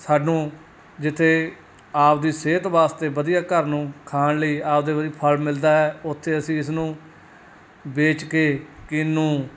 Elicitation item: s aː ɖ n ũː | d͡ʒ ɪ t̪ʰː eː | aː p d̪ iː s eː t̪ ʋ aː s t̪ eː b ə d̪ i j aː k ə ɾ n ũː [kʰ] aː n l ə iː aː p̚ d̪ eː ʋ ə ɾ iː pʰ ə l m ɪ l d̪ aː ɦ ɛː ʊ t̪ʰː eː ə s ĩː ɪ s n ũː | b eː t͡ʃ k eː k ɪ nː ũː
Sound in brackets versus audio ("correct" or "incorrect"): correct